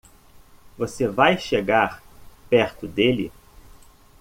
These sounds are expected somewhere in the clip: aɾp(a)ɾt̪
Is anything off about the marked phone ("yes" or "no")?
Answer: yes